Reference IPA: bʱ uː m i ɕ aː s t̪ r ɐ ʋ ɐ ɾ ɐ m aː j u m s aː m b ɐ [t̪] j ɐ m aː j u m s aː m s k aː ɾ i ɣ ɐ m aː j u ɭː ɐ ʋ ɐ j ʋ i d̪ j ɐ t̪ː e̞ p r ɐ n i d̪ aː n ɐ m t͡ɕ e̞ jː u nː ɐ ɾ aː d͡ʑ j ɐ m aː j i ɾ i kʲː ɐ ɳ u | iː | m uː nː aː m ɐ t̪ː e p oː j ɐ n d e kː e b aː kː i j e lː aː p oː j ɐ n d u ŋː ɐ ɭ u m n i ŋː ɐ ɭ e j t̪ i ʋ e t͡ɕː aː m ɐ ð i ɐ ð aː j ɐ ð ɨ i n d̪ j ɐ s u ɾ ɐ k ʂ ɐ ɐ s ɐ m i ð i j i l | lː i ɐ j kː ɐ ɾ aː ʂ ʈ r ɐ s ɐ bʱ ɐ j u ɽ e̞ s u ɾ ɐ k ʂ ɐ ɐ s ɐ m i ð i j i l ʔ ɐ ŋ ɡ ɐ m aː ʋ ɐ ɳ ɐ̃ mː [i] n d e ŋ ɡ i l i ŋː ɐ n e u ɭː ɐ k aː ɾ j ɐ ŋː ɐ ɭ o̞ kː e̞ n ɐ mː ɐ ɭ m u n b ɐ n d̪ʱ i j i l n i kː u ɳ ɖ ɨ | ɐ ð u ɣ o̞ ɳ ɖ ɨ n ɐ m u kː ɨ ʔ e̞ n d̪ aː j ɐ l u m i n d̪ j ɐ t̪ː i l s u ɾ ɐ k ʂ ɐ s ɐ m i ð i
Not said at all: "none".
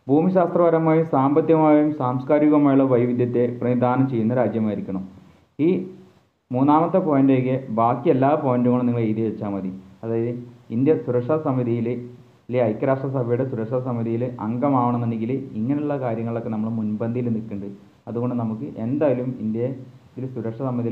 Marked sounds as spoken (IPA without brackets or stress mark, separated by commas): t̪, e